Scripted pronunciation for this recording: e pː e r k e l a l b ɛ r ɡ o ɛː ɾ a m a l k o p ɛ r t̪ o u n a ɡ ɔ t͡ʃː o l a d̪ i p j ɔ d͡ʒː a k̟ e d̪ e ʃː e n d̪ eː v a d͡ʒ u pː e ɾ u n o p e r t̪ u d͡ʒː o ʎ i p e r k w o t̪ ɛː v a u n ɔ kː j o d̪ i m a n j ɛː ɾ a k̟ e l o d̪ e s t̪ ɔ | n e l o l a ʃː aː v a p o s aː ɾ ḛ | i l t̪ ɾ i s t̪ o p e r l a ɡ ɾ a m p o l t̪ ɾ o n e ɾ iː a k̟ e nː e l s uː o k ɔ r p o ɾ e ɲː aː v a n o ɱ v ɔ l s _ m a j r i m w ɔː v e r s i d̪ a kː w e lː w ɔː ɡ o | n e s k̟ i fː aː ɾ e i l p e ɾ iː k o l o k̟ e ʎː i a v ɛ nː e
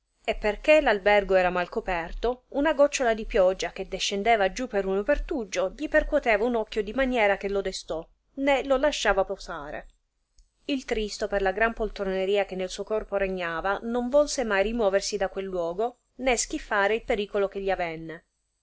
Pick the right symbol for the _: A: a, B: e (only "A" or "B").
B